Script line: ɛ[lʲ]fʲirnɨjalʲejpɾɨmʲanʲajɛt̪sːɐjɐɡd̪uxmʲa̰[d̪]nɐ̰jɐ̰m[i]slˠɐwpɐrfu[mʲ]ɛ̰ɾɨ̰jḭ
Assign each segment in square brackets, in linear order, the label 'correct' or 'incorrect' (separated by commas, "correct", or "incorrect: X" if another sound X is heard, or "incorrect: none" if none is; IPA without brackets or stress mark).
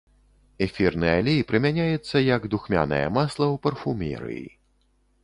incorrect: none, incorrect: none, incorrect: a, correct